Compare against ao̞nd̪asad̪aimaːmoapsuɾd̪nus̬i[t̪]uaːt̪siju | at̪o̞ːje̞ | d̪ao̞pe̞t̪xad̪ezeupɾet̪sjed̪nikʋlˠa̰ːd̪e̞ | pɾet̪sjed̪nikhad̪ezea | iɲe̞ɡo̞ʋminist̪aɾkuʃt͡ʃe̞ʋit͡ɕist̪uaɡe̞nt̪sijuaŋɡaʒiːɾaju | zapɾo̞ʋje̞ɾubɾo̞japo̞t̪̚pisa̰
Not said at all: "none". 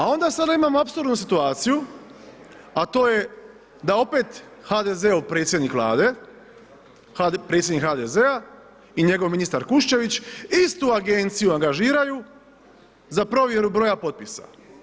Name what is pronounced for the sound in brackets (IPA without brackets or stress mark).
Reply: t̪